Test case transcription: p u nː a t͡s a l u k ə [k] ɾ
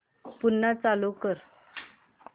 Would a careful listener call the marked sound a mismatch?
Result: yes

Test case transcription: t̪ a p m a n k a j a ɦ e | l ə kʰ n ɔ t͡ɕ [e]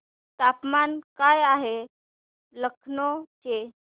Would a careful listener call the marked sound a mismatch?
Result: no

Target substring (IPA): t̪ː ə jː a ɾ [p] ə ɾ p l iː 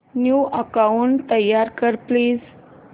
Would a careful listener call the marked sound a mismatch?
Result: yes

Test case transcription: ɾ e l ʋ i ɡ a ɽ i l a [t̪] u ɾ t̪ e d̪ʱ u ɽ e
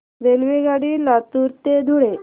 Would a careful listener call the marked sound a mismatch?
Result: no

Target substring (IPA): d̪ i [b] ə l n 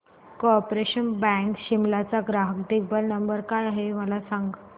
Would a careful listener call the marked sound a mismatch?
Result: no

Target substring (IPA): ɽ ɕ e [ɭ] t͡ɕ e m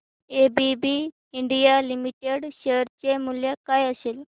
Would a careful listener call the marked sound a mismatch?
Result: yes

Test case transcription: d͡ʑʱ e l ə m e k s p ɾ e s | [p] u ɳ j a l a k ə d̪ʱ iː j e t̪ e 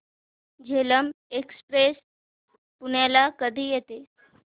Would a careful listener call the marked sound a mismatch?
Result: no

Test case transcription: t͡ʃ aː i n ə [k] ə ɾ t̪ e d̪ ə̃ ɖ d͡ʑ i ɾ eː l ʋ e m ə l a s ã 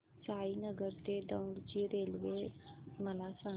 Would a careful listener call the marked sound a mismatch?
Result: yes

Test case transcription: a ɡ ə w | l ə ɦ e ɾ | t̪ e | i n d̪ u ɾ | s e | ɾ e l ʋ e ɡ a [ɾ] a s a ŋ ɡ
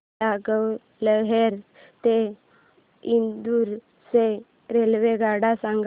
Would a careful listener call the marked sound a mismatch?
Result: yes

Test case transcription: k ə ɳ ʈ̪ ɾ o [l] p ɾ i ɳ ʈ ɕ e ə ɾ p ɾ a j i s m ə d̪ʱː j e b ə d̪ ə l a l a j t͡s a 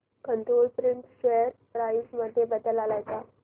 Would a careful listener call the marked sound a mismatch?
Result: no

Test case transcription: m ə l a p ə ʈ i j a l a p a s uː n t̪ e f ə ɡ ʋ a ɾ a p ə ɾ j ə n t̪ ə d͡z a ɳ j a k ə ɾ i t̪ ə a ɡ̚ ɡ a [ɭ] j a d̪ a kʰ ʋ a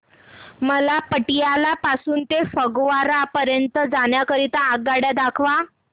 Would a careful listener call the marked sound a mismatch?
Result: yes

